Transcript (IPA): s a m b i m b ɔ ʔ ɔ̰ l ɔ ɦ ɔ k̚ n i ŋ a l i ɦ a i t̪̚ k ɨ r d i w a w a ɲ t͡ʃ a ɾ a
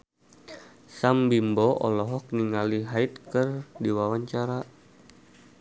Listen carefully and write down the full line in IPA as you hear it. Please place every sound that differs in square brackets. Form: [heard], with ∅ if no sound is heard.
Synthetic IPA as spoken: s a m b i m b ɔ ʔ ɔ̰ l ɔ ɦ ɔ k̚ n i ŋ a l i ɦ a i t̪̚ k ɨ r d i w a w a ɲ t͡ʃ a ɾ a